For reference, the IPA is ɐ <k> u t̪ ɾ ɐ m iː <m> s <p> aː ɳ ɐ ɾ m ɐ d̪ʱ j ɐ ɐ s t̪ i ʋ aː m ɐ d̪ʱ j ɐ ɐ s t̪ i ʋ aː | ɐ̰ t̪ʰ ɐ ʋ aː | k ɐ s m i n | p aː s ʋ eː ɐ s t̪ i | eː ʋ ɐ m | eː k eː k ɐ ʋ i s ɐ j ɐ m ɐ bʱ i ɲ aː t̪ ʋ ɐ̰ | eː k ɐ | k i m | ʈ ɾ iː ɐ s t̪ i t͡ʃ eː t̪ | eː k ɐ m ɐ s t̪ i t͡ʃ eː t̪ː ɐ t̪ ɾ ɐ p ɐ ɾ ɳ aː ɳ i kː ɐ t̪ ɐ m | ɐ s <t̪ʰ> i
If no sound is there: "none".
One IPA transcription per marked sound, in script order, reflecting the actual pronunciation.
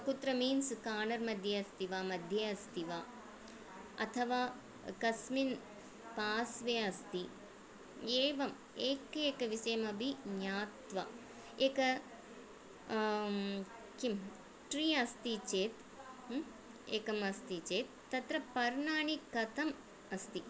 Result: k, n, k, t̪

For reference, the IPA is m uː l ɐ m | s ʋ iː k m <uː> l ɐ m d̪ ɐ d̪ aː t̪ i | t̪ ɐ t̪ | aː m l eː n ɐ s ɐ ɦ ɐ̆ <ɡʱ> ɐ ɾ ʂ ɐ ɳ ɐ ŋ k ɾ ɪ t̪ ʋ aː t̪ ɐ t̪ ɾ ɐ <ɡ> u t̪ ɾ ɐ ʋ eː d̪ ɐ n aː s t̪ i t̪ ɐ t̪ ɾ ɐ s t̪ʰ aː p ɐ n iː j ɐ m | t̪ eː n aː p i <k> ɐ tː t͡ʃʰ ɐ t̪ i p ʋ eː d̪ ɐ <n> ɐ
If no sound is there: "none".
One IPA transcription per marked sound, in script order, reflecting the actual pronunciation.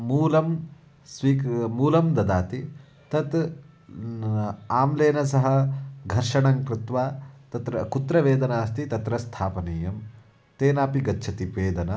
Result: uː, ɡʱ, k, ɡ, n

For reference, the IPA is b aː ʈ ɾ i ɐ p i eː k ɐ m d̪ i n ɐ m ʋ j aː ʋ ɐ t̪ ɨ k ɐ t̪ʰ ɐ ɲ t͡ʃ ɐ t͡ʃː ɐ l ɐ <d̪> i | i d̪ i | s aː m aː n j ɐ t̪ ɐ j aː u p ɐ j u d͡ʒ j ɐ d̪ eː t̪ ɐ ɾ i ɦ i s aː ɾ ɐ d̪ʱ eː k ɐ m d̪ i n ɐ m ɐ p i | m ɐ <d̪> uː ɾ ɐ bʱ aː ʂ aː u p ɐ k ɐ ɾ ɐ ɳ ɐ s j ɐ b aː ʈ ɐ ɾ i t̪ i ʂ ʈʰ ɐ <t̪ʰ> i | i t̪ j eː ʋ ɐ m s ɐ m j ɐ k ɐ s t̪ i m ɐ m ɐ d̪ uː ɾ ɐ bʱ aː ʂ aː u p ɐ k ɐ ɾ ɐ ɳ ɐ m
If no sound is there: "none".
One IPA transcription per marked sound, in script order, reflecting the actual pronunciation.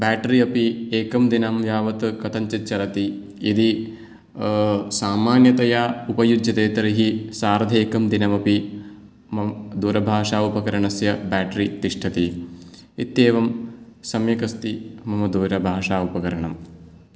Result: t̪, d̪, t̪

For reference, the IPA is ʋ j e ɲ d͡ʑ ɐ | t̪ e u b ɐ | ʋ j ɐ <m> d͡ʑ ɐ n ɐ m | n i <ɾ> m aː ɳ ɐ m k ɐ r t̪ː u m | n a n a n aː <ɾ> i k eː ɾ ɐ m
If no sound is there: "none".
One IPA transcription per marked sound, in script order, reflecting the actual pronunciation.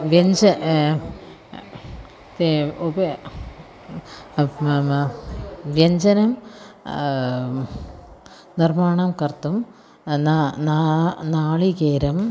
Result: ɲ, r, ɭ

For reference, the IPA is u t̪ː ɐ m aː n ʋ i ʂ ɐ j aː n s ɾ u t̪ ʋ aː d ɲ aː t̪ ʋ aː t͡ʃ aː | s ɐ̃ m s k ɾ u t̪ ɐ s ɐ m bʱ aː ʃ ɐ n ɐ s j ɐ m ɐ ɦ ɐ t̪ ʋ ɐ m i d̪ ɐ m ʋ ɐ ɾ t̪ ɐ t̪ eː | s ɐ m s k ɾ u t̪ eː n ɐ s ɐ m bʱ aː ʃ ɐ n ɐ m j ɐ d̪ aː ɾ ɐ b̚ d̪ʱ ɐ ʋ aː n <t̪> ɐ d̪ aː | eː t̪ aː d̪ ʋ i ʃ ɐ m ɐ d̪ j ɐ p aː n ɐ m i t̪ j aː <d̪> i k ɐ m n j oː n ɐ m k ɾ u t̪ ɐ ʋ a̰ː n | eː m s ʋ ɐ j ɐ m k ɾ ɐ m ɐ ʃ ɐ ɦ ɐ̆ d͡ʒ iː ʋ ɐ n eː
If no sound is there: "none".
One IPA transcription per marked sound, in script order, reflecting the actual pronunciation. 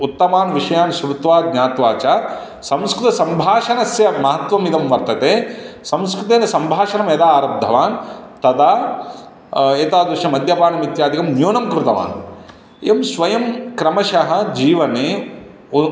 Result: t̪, d̪

